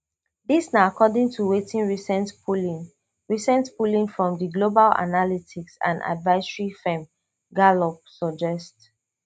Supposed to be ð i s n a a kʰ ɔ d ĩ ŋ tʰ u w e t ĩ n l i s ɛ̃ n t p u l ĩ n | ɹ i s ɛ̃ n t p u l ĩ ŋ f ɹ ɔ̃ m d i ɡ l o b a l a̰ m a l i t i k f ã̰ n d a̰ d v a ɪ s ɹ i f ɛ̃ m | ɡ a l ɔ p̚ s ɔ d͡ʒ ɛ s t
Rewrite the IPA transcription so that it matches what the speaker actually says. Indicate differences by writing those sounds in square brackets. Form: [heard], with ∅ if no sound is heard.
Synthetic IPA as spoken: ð i s n a a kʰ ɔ d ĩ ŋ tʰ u w e t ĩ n [ɹ] i s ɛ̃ n t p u l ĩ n | ɹ i s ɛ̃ n t p u l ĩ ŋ f ɹ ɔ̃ m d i ɡ l o b a l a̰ [n] a l i t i k [s] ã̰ n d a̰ d v a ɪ s ɹ i f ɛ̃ m | ɡ a l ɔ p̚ s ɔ d͡ʒ ɛ s t